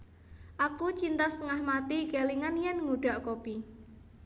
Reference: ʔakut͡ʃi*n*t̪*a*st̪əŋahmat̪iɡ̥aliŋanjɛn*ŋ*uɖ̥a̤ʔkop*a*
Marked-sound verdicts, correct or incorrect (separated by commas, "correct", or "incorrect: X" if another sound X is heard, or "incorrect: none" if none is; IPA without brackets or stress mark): correct, correct, correct, incorrect: i